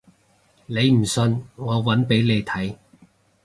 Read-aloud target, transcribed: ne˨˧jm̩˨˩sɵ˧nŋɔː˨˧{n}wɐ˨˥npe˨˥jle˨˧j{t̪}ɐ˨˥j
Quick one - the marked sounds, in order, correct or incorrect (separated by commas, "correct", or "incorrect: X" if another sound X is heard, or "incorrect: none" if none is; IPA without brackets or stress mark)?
incorrect: none, incorrect: t̪ʰ